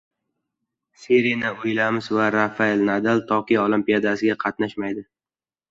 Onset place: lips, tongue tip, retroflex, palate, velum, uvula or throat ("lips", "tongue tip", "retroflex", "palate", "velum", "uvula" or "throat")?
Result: tongue tip